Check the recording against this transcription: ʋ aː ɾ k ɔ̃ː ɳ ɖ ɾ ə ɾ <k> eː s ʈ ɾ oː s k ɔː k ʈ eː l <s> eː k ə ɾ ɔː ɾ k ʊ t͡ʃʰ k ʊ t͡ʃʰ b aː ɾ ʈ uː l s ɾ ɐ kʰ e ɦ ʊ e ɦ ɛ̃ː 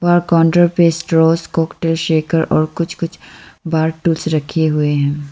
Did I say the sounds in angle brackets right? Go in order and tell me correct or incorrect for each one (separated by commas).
incorrect, incorrect